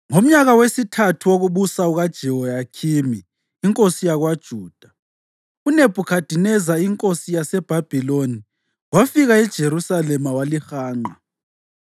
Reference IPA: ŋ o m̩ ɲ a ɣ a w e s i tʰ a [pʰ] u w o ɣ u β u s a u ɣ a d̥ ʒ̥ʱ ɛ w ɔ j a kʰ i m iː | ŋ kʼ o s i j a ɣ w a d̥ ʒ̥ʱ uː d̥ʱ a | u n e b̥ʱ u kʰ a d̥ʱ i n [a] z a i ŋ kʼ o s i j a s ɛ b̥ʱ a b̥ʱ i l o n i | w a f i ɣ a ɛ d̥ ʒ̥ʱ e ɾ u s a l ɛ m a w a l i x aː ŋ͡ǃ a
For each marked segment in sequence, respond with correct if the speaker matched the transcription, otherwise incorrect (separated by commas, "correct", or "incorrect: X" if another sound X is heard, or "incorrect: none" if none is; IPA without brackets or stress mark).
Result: incorrect: tʰ, incorrect: ɛ